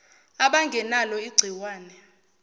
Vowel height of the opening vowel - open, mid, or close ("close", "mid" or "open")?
open